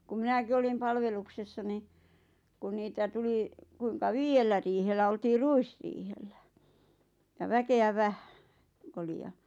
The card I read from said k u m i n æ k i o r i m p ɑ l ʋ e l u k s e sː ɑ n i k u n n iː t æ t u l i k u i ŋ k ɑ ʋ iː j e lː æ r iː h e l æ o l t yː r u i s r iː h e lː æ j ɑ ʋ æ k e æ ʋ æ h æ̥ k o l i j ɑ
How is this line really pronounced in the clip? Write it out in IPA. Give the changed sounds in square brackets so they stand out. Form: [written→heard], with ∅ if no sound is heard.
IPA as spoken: k u m i n æ k i o [r→l] i m p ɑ l ʋ e l u k s e sː ɑ n i k u n n iː t æ t u l i k u i ŋ k ɑ ʋ iː j e lː æ r iː h e [l→lː] æ o l t [yː→iː] r u i s r iː h e lː æ j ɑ ʋ æ k e æ ʋ æ h æ̥ k o l i j ɑ